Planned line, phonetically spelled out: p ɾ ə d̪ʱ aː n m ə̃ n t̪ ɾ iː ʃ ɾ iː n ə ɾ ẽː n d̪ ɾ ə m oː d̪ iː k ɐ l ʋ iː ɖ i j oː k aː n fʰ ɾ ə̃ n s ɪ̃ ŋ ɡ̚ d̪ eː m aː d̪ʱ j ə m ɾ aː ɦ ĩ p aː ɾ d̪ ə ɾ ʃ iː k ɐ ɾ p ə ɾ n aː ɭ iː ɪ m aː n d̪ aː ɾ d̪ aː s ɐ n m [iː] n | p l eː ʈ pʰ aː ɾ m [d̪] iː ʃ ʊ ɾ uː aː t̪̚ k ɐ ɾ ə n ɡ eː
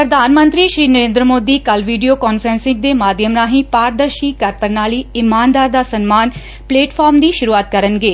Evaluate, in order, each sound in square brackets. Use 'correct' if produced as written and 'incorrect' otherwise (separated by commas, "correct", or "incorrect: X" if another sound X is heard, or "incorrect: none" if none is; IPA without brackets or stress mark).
incorrect: aː, correct